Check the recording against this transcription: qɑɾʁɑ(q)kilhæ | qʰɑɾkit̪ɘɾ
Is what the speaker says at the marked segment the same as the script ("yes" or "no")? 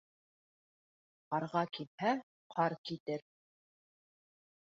no